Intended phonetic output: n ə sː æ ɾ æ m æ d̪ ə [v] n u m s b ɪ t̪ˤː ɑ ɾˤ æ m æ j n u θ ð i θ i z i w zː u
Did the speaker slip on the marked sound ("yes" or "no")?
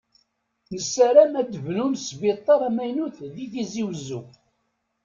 no